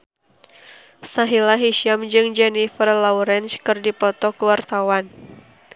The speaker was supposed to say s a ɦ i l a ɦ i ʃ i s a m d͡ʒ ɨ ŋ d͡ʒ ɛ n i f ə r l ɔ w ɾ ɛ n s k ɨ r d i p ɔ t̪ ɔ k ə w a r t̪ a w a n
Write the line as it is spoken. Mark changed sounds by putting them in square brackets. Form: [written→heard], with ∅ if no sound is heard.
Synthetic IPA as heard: s a ɦ i l a ɦ i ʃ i [s→∅] a m d͡ʒ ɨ ŋ d͡ʒ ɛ n i f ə r l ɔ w ɾ ɛ n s k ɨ r d i p ɔ t̪ ɔ k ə w a r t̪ a w a n